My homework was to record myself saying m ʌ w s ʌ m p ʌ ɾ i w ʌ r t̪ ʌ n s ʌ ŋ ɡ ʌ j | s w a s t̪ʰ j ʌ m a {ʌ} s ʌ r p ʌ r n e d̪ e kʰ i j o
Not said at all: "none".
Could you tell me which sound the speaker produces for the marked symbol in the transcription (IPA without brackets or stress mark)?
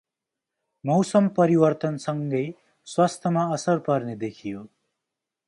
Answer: ʌ